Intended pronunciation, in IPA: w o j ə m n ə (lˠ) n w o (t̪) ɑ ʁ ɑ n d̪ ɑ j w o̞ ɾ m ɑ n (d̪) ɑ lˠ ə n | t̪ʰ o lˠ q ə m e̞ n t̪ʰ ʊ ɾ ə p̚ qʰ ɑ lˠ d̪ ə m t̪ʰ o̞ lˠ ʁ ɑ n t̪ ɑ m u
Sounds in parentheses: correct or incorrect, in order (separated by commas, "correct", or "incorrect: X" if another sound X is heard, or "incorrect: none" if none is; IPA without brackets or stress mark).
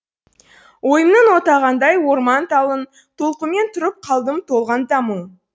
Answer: incorrect: none, correct, incorrect: t̪